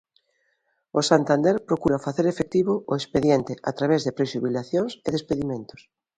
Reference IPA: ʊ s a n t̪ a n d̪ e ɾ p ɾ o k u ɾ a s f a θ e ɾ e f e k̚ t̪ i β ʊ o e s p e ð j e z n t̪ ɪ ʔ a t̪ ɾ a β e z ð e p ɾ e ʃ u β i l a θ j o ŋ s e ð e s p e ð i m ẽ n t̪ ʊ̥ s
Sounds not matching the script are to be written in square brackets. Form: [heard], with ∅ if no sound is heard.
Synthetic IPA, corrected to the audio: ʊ s a n t̪ a n d̪ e ɾ p ɾ o k u ɾ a [∅] f a θ e ɾ e f e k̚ t̪ i β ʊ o e s p e ð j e [∅] n t̪ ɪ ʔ a t̪ ɾ a β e z ð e p ɾ e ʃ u β i l a θ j o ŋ s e ð e s p e ð i m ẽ n t̪ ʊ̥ s